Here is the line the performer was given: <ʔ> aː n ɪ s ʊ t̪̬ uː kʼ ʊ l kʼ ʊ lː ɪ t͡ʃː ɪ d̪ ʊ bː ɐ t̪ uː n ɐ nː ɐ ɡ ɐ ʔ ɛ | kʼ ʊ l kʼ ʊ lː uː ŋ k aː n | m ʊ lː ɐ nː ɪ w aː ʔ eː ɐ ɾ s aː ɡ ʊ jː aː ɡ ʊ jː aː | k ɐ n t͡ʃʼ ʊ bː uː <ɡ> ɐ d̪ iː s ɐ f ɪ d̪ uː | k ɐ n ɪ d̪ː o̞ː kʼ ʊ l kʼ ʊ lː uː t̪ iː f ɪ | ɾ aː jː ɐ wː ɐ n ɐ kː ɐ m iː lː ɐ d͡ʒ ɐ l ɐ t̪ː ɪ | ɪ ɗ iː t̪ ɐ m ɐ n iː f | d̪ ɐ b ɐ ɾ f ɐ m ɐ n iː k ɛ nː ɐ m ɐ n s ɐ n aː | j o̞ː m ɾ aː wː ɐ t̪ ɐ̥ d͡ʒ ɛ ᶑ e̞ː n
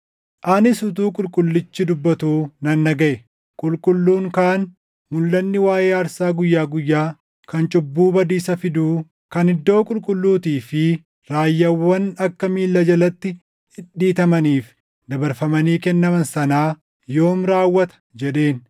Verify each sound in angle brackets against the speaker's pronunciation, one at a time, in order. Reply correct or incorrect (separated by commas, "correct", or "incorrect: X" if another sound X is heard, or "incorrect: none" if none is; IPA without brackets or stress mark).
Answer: correct, incorrect: b